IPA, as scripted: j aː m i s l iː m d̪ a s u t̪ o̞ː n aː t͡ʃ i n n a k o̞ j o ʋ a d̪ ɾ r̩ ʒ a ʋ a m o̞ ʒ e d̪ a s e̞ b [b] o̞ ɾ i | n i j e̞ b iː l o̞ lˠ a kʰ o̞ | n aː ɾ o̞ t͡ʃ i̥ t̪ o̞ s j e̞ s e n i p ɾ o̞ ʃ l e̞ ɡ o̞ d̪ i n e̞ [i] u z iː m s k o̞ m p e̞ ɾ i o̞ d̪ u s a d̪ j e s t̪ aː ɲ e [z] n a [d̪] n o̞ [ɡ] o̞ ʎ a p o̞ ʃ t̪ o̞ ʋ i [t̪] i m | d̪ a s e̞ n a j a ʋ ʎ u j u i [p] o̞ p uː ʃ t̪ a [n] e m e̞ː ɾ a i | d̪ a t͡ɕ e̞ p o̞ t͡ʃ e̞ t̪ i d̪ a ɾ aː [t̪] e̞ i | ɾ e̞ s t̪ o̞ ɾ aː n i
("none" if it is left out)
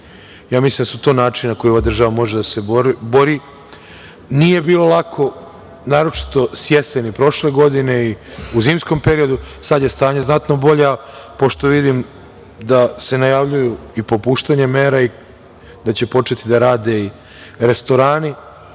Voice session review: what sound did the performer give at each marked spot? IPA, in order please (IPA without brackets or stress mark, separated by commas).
b, i, z, t̪, b, d̪, p, ɲ, d̪